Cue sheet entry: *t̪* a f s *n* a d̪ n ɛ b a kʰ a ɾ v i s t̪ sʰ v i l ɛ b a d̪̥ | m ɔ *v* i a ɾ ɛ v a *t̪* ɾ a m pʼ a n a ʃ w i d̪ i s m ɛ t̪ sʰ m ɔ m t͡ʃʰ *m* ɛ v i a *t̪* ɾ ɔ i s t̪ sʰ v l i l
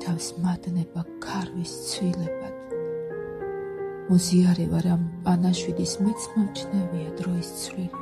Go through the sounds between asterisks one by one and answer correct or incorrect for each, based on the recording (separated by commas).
incorrect, incorrect, incorrect, incorrect, incorrect, incorrect